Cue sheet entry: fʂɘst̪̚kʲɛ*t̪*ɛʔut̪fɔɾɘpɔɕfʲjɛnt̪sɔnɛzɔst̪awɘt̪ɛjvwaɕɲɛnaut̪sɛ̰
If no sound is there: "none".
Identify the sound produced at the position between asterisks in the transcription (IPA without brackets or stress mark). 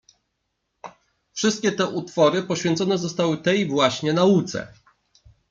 t̪